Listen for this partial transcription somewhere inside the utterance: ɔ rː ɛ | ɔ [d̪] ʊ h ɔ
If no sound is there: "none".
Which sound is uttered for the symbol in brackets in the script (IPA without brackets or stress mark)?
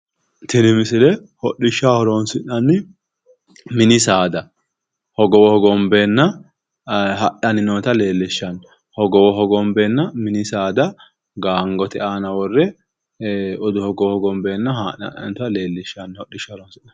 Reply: d̪